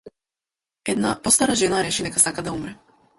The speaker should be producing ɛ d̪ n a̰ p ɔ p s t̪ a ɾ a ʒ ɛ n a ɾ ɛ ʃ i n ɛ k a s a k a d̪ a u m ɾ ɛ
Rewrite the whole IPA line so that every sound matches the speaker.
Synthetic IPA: ɛ d̪ n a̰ p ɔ s t̪ a ɾ a ʒ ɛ n a ɾ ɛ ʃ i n ɛ k a s a k a d̪ a u m ɾ ɛ